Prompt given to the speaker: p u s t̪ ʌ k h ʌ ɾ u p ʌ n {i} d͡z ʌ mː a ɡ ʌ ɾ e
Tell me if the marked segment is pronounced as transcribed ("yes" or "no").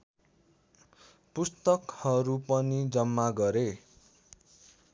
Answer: yes